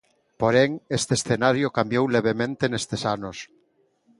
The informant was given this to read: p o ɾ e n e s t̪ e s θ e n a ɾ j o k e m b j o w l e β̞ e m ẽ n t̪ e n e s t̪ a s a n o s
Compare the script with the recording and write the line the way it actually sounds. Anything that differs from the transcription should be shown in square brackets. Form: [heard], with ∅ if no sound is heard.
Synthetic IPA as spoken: p o ɾ e [ŋ] e s t̪ e s θ e n a ɾ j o k [a] m b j o w l e β̞ e m ẽ n t̪ e n e s t̪ [e] s a n o s